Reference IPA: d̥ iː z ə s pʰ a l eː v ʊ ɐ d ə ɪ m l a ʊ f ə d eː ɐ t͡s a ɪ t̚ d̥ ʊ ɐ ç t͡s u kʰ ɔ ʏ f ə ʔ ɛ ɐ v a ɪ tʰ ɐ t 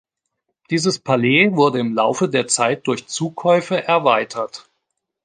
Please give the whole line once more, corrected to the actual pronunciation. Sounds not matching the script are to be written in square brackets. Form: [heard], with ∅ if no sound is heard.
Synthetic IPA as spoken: d̥ iː z ə s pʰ a l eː v ʊ ɐ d ə ɪ m l a ʊ f ə d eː ɐ t͡s a ɪ t̚ d̥ ʊ ɐ ç t͡s [uː] kʰ ɔ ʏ f ə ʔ ɛ ɐ v a ɪ tʰ ɐ t